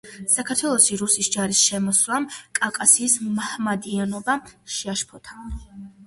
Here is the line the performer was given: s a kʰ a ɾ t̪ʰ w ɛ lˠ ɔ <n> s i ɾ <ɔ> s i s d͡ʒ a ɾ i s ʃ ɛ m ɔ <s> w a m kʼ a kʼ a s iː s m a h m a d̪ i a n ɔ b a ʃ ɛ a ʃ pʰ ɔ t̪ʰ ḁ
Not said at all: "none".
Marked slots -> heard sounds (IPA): none, u, s

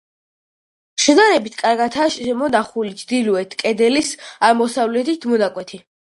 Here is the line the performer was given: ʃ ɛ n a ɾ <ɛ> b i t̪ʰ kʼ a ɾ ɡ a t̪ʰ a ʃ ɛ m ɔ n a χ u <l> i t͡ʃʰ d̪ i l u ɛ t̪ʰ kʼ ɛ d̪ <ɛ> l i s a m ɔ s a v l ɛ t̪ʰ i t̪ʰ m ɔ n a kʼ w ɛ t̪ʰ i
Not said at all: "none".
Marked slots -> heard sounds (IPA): ɛ, l, ɛ

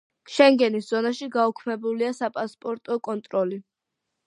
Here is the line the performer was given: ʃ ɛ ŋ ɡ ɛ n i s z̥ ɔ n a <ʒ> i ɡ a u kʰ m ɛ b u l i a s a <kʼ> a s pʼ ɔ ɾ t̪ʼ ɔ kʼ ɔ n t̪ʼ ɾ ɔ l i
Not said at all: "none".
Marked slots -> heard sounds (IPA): ʃ, pʼ

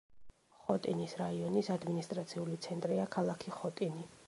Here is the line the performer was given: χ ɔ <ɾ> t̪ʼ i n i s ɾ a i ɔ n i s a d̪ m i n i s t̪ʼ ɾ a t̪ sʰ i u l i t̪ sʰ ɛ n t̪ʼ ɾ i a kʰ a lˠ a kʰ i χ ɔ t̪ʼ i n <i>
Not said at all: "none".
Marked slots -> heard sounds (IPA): none, i

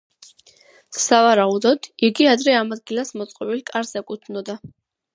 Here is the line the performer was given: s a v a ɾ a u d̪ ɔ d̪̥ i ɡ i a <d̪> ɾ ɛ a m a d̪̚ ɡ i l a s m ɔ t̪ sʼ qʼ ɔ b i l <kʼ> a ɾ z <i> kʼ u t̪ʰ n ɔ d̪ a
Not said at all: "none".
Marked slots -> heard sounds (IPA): d̪, kʼ, ɛ

